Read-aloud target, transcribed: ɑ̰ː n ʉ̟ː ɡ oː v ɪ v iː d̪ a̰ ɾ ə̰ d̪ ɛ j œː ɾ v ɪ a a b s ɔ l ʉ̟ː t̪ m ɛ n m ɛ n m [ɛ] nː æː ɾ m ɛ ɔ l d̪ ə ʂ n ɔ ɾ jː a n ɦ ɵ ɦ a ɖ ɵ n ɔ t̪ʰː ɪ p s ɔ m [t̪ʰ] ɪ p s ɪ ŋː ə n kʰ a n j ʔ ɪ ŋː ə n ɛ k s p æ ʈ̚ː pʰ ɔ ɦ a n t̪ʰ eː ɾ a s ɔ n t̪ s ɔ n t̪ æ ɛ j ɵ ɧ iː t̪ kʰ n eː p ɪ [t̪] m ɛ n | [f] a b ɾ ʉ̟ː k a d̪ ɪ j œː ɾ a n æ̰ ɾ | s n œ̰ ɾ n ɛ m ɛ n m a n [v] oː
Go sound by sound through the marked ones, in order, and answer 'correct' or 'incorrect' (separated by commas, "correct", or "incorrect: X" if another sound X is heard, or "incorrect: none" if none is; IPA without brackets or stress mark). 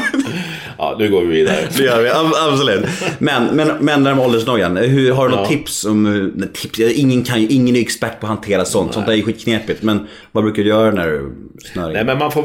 correct, correct, correct, incorrect: v, incorrect: f